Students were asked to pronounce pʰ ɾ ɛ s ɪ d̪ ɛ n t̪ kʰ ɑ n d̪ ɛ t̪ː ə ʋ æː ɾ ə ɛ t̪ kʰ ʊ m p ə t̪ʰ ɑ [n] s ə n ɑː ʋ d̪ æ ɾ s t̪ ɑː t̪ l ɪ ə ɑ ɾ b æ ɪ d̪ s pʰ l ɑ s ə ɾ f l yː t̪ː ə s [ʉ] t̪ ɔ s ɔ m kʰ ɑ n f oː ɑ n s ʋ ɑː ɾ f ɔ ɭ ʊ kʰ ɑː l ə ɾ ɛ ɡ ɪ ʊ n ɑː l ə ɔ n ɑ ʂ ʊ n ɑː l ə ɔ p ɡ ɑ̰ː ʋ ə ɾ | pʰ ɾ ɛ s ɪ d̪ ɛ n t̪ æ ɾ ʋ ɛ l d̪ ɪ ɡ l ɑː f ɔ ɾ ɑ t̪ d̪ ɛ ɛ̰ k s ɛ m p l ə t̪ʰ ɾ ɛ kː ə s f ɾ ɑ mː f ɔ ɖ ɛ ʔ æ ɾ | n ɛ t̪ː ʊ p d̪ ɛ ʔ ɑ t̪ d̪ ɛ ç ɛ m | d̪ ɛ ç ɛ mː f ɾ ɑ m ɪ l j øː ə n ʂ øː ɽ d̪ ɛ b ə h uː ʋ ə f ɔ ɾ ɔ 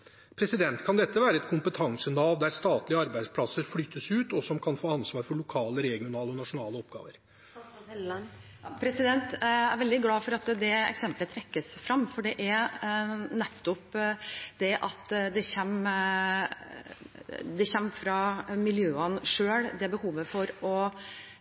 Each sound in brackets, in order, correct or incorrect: incorrect: ŋ, incorrect: ʉː

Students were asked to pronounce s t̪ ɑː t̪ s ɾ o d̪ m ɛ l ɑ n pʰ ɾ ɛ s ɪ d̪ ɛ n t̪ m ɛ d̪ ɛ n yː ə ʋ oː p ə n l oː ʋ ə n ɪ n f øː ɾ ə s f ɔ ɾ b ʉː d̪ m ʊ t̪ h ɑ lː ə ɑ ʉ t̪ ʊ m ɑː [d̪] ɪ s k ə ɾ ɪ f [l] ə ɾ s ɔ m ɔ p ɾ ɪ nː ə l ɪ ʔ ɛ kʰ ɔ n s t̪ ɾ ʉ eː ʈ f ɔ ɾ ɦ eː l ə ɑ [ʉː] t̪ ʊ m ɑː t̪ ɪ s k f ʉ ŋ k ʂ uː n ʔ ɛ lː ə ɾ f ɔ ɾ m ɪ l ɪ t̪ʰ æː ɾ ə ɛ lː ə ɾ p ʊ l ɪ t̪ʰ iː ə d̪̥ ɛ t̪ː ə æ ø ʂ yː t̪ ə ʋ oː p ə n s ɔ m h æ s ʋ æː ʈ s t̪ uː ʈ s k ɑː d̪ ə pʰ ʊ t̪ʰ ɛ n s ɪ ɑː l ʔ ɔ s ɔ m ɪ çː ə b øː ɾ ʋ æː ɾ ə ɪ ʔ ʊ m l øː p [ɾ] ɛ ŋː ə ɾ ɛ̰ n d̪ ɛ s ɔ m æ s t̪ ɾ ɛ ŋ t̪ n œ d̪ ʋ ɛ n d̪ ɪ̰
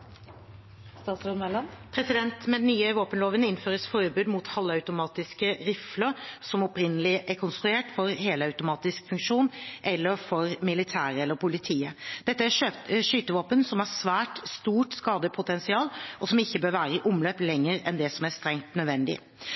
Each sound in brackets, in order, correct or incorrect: incorrect: t̪, correct, incorrect: ʉ, incorrect: l

